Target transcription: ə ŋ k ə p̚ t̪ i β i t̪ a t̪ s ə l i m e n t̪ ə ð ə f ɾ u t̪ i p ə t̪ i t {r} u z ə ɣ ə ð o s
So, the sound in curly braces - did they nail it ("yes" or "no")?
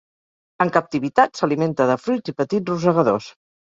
yes